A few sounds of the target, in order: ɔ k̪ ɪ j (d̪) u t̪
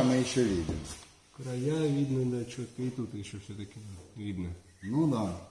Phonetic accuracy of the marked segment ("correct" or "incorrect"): incorrect